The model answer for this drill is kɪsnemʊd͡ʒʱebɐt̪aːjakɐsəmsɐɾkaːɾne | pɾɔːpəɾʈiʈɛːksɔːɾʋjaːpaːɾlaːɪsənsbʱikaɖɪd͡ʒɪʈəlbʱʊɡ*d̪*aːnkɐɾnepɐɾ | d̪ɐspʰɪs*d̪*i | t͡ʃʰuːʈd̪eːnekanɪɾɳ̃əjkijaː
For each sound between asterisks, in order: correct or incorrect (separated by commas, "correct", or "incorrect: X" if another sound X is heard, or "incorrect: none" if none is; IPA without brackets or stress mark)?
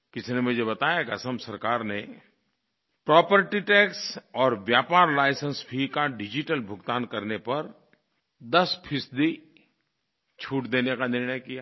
incorrect: t̪, correct